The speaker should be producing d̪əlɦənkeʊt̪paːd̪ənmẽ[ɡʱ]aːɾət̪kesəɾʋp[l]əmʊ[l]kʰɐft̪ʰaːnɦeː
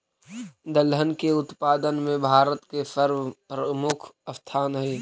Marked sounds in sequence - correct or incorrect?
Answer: incorrect, incorrect, incorrect

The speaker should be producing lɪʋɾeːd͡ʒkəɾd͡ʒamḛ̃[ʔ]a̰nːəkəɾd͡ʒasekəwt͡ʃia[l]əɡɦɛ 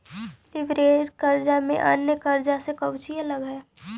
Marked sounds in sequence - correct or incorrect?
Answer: correct, correct

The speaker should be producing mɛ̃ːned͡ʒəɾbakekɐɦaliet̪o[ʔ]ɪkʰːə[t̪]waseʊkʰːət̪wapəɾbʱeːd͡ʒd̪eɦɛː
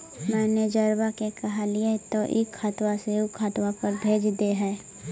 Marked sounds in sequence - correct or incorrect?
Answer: correct, correct

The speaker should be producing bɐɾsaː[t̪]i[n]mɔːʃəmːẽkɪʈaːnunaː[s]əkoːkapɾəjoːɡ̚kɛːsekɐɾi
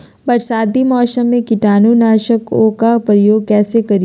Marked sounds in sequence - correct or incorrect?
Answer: incorrect, incorrect, incorrect

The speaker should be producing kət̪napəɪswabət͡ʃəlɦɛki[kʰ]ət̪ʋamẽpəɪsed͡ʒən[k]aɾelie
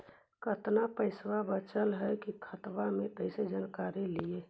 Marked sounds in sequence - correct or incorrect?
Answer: correct, correct

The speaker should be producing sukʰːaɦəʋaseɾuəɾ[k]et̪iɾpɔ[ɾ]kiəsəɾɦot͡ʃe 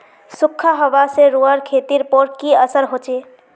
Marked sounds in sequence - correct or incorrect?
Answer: incorrect, correct

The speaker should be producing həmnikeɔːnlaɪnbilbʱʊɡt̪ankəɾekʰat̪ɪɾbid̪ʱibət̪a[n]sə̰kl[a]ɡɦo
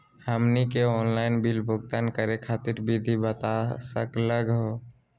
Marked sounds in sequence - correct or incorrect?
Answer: incorrect, incorrect

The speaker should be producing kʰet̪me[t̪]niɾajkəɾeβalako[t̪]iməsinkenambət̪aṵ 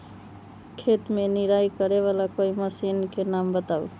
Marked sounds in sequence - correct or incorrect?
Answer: incorrect, incorrect

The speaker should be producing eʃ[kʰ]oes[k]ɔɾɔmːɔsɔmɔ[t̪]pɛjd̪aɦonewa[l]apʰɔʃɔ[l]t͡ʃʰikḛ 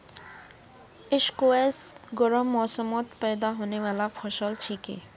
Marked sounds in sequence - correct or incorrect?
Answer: incorrect, incorrect, correct, correct, correct

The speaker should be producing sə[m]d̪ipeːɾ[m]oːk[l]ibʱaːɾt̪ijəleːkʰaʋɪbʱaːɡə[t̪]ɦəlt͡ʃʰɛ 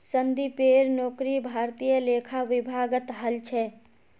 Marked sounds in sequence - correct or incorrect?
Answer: incorrect, incorrect, incorrect, correct

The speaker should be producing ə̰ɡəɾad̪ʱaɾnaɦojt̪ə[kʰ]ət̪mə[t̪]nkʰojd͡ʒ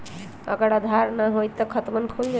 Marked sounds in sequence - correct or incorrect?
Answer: correct, incorrect

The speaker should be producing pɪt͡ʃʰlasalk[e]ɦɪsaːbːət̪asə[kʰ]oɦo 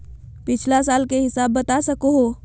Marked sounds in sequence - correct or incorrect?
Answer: correct, incorrect

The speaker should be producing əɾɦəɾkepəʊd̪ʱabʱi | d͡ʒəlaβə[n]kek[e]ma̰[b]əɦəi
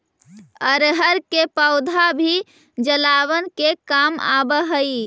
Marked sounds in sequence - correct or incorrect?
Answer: correct, incorrect, correct

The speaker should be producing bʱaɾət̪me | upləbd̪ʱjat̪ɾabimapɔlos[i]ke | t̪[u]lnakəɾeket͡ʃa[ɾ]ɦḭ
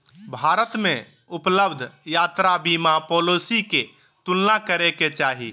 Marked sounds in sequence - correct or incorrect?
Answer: correct, correct, incorrect

